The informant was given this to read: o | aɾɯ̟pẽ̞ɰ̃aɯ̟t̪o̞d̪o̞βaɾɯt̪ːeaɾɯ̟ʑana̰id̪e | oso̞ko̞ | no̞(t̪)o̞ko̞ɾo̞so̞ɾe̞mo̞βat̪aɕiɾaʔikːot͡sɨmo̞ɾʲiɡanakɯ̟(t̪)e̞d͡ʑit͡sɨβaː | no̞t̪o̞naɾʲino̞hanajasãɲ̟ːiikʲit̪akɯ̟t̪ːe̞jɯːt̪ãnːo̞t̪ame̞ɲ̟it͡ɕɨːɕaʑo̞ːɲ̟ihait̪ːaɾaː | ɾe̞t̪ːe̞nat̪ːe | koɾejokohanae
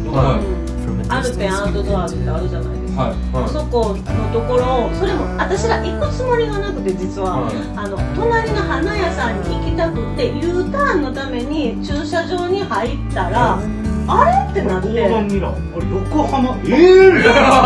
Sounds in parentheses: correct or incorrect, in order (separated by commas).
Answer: correct, correct